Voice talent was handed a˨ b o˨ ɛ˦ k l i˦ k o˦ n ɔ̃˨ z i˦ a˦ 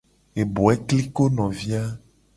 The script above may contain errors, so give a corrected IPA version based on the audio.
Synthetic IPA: e˨ b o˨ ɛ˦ k l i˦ k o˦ n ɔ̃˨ v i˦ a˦